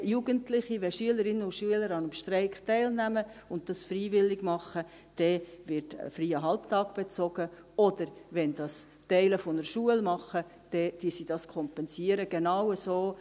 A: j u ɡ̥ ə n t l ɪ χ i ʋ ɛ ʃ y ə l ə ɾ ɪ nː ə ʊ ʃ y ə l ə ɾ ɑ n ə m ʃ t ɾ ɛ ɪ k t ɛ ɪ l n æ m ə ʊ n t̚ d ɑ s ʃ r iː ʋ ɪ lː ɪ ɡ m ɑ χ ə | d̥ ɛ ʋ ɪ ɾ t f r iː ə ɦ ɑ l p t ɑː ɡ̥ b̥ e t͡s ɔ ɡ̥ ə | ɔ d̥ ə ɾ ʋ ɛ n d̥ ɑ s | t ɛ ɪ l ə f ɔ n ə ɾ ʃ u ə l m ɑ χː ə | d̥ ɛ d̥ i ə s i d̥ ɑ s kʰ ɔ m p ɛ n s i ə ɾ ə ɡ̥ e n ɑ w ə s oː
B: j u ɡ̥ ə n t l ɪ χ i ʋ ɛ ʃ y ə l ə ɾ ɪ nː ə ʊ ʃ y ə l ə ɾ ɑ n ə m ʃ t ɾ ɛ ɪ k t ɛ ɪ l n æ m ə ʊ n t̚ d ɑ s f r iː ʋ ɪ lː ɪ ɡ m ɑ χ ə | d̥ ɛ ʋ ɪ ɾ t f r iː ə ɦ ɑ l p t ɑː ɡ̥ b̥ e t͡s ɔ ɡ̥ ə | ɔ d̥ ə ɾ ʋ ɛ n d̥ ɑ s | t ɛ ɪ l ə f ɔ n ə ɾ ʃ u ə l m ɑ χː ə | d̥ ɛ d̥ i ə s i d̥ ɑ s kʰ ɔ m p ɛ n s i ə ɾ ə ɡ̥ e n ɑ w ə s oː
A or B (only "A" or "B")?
B